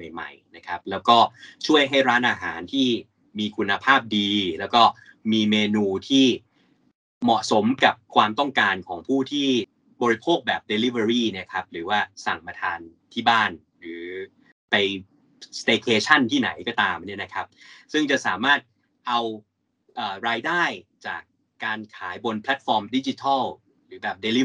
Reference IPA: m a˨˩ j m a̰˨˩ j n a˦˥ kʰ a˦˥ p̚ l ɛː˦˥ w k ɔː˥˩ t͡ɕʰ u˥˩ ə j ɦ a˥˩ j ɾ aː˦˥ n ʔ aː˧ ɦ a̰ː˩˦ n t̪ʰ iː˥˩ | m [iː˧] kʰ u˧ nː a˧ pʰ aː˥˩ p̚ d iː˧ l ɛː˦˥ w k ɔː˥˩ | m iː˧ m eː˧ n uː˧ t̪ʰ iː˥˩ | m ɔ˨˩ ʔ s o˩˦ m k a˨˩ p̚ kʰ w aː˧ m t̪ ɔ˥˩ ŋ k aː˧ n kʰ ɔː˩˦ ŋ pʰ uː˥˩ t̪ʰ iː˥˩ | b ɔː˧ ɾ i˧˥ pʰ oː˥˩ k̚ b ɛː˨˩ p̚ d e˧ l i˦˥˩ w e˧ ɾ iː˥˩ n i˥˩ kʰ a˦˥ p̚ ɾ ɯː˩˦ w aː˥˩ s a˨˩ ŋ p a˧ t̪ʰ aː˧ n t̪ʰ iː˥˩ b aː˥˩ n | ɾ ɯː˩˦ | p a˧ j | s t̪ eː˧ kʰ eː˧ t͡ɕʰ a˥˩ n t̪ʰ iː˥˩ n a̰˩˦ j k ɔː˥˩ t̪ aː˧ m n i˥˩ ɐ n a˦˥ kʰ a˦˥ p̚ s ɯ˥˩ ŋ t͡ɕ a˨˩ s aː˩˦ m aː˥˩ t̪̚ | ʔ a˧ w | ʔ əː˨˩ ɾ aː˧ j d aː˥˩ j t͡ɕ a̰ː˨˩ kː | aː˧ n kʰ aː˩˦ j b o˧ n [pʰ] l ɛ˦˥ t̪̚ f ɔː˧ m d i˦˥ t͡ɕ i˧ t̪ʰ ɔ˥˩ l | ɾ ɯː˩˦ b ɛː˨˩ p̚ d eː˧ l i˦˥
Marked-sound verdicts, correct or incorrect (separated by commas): correct, correct